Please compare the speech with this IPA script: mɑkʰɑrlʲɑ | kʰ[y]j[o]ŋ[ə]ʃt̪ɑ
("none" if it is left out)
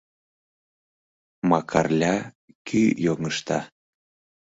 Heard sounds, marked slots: y, o, ə

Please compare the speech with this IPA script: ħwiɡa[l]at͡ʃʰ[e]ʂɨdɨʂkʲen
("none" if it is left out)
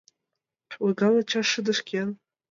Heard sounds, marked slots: l, a

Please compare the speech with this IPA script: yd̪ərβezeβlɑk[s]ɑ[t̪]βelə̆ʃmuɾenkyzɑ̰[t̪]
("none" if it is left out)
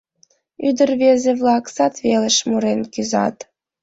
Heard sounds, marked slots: s, t̪, t̪

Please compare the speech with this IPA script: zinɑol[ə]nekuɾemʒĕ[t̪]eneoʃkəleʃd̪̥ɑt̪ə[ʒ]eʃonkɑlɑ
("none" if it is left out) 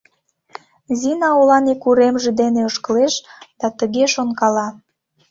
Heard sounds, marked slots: ɑ, d̪, ɣ

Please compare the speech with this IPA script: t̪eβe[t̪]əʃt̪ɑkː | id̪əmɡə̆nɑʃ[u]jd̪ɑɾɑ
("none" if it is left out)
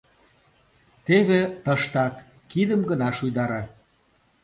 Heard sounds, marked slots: t̪, u

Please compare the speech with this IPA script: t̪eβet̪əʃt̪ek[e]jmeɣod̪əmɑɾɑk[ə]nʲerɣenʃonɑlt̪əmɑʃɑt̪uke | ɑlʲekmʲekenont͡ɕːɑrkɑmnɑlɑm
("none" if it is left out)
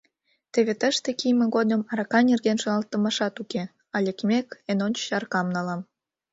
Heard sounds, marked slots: i, ɑ

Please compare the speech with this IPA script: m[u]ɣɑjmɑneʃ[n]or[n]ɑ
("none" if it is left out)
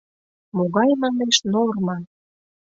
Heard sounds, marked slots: o, n, m

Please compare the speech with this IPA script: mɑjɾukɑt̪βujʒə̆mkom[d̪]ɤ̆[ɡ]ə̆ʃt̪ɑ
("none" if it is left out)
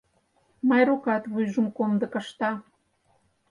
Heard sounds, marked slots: d̪, k

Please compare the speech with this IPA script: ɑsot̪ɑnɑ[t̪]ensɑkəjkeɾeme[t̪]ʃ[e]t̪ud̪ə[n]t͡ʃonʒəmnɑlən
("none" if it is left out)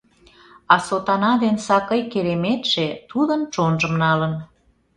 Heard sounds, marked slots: d̪, t̪, e, n

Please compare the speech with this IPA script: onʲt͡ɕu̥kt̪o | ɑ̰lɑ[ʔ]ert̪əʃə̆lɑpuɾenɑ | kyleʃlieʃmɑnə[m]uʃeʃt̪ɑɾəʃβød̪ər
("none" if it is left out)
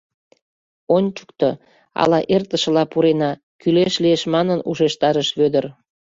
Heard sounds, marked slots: ʔ, n

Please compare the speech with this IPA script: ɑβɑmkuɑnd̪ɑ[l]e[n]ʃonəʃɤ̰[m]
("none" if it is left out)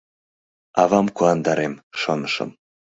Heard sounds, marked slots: ɾ, m, m

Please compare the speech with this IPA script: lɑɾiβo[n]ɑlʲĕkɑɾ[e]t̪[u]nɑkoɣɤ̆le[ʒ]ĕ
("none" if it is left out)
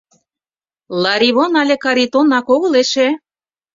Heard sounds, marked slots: n, i, o, ʃ

